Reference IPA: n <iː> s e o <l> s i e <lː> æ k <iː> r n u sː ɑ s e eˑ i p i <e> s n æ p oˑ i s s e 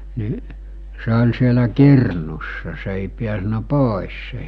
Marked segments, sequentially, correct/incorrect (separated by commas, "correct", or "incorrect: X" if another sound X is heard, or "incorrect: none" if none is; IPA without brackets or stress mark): incorrect: i, correct, incorrect: l, incorrect: i, incorrect: æ